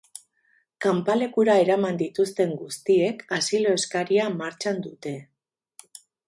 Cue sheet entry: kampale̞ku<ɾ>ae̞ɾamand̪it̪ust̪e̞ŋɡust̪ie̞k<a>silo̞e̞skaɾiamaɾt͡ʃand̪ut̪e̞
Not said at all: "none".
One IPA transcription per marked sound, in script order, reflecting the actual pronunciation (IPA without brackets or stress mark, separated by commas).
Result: ɾ, a